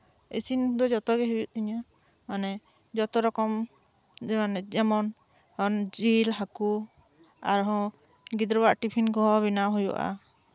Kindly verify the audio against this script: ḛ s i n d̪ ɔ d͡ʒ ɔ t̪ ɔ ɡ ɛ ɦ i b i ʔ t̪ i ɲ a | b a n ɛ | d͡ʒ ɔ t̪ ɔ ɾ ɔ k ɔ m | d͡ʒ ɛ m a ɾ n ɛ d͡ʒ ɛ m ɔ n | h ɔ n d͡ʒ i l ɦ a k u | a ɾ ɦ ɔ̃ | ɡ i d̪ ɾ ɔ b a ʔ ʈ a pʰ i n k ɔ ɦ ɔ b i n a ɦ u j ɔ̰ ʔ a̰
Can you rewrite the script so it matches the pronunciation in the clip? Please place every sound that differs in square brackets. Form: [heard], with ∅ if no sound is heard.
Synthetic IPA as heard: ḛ s i n d̪ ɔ d͡ʒ ɔ t̪ ɔ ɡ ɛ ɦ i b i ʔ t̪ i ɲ a | [m] a n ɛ | d͡ʒ ɔ t̪ ɔ ɾ ɔ k ɔ m | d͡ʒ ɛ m a [∅] n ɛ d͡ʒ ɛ m ɔ n | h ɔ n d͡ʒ i l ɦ a k u | a ɾ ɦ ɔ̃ | ɡ i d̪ ɾ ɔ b a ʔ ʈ [i] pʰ i n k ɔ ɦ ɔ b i n a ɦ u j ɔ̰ ʔ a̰